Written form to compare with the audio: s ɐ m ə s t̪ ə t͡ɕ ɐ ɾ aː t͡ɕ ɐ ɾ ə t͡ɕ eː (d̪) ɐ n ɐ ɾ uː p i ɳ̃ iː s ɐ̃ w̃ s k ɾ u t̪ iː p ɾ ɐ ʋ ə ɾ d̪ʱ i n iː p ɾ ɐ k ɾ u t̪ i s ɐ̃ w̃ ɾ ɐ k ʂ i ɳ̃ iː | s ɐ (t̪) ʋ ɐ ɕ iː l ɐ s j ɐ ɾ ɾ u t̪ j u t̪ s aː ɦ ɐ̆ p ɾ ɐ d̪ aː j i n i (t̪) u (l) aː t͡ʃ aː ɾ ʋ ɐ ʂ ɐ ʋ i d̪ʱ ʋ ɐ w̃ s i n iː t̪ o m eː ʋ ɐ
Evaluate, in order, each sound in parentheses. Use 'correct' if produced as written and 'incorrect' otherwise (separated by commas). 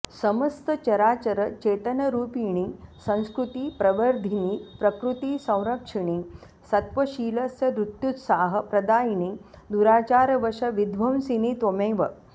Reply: incorrect, correct, incorrect, incorrect